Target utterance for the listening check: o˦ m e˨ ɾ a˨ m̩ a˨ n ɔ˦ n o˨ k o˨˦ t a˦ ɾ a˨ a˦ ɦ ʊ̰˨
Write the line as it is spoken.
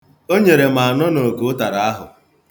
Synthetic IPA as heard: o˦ ɲ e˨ ɾ e˨ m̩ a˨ n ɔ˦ n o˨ k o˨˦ t a˨ ɾ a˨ a˦ ɦ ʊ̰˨